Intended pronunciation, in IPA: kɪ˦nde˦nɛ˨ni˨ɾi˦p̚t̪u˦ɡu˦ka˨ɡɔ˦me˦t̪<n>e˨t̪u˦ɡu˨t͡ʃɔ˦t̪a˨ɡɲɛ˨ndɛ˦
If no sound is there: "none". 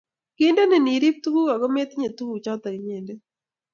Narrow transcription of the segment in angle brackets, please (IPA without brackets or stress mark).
ɲ